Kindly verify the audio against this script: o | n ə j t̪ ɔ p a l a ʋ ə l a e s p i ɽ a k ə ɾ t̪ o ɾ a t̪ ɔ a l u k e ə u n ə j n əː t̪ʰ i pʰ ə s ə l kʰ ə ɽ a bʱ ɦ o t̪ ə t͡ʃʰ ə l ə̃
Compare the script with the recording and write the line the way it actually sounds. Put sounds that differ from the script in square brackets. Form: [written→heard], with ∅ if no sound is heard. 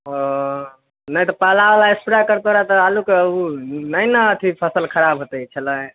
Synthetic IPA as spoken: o | n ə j t̪ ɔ p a l a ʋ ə l a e s p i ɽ a k ə ɾ t̪ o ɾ a t̪ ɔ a l u k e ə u n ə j n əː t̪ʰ i pʰ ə s ə l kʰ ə [ɽ→ɾ] a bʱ ɦ o t̪ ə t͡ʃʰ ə l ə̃